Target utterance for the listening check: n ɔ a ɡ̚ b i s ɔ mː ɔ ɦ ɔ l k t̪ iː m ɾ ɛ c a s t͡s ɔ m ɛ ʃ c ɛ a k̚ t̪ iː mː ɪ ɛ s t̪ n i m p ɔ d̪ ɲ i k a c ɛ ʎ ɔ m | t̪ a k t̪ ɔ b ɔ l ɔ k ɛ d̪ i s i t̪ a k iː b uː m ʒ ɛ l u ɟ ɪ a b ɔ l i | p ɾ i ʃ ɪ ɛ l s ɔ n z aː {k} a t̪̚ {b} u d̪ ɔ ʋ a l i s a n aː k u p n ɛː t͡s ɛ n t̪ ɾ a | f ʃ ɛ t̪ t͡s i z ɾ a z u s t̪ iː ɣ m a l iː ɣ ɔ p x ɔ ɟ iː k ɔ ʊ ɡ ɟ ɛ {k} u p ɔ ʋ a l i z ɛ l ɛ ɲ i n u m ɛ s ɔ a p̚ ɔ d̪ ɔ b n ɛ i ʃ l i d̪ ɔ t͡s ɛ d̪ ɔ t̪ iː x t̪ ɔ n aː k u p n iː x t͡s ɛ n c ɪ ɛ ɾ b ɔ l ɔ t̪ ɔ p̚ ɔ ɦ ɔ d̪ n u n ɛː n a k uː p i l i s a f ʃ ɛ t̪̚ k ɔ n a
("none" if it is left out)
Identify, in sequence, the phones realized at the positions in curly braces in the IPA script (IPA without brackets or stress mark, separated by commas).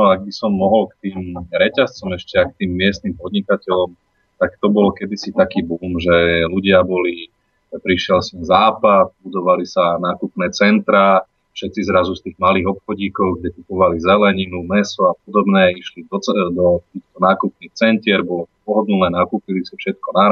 p, b, k